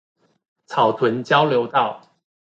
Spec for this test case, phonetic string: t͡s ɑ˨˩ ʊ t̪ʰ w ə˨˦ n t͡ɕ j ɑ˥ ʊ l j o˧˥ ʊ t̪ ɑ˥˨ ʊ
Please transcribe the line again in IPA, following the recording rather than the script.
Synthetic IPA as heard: t͡sʰ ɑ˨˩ ʊ t̪ʰ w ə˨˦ n t͡ɕ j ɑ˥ ʊ l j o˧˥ ʊ t̪ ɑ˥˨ ʊ